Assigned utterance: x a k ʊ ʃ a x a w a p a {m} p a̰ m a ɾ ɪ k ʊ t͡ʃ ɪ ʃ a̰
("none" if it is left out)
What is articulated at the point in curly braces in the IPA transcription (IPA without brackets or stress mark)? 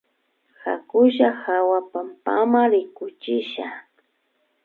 m